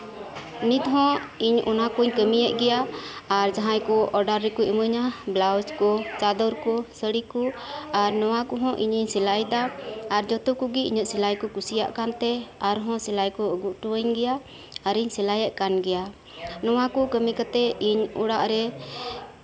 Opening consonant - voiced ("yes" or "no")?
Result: yes